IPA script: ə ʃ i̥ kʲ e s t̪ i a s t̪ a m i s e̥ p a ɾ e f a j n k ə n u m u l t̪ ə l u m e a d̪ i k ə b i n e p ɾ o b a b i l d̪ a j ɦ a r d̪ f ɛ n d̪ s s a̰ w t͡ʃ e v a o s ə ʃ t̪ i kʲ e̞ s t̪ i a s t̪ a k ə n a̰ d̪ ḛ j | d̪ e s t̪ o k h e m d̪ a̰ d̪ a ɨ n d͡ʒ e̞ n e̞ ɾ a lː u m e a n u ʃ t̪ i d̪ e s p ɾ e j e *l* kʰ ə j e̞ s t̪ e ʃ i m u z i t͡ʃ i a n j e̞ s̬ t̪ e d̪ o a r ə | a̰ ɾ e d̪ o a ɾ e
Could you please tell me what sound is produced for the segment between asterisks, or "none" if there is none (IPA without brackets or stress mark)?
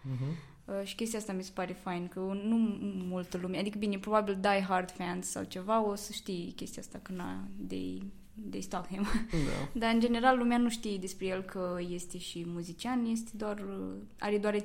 l